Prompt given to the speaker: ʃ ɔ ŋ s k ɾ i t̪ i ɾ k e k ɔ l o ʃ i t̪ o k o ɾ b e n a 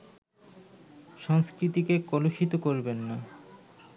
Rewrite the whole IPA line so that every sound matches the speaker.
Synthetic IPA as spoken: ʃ ɔ ŋ s k ɾ i t̪ i k e k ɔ l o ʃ i t̪ o k o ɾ b e nː a